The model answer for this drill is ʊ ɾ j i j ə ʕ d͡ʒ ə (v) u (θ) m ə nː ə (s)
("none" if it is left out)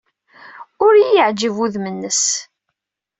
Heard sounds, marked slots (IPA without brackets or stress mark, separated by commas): v, ð, s